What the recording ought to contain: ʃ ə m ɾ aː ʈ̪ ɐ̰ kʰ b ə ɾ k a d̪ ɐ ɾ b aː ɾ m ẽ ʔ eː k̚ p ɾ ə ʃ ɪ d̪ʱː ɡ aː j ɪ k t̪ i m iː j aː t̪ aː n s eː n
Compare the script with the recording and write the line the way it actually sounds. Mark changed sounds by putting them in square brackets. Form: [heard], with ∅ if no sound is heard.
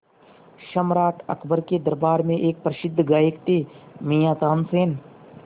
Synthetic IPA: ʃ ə m ɾ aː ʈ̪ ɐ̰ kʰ b ə ɾ k [e] d̪ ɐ ɾ b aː ɾ m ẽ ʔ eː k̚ p ɾ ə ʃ ɪ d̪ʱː ɡ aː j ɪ k t̪ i m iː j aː t̪ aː n s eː n